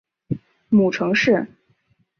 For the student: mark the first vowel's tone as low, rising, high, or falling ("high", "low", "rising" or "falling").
low